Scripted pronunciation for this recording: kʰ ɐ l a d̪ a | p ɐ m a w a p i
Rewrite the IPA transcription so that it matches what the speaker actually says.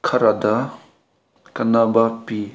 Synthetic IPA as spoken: kʰ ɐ ɾ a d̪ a | k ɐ n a b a p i